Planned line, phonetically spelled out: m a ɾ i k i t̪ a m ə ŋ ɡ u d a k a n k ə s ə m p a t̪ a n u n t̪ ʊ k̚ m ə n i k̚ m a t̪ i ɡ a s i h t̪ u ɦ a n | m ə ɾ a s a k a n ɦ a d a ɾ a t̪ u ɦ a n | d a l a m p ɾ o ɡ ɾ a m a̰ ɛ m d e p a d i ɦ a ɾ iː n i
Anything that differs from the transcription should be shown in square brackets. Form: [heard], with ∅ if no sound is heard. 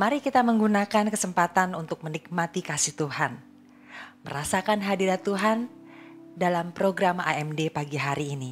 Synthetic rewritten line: m a ɾ i k i t̪ a m ə ŋ ɡ u [n] a k a n k ə s ə m p a t̪ a n u n t̪ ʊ k̚ m ə n i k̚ m a t̪ i [k] a s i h t̪ u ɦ a n | m ə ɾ a s a k a n ɦ a d [i] ɾ a t̪ u ɦ a n | d a l a m p ɾ o ɡ ɾ a m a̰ ɛ m d e p a [ɡ] i ɦ a ɾ iː n i

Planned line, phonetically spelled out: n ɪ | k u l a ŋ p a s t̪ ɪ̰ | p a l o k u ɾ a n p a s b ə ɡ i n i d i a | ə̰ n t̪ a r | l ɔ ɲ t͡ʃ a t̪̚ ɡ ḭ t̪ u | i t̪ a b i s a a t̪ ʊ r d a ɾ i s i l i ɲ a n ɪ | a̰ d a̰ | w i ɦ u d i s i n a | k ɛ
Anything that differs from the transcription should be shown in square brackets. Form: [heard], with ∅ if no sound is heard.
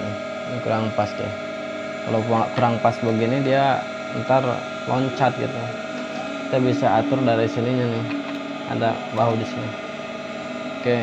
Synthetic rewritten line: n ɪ | k u [ɾ] a ŋ p a s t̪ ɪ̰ | [k] a l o k u ɾ a [ŋ] p a s b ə ɡ i n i d i a | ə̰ n t̪ a r | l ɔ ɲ t͡ʃ a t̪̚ ɡ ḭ t̪ u | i t̪ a b i s a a t̪ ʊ r d a ɾ i s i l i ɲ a n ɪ | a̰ d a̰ | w [a] ɦ u d i s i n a | k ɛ

